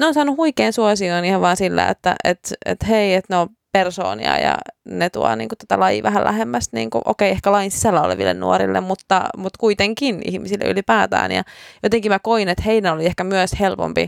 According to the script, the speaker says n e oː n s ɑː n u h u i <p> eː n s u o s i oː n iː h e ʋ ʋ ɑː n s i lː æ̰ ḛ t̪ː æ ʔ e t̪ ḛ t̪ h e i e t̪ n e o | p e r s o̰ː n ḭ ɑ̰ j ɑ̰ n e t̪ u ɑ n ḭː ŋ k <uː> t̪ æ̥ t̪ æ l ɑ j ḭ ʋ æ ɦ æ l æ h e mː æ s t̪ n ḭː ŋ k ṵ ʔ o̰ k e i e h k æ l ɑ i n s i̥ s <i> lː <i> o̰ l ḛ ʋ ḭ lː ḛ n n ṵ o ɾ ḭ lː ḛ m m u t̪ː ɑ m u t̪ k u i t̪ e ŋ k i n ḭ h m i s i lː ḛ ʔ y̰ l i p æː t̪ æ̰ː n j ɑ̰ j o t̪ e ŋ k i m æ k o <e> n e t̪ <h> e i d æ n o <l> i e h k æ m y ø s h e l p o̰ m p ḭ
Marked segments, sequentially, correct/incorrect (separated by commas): incorrect, incorrect, incorrect, incorrect, incorrect, correct, correct